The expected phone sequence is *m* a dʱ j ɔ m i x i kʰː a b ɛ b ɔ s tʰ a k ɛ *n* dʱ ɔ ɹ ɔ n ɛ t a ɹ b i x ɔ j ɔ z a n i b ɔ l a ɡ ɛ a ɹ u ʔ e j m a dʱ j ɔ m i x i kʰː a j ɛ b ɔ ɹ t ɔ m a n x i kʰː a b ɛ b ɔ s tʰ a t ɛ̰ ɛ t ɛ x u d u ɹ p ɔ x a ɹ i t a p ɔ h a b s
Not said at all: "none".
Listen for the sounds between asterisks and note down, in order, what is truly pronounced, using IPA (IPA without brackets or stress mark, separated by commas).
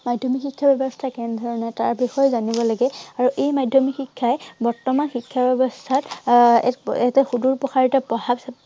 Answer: m, n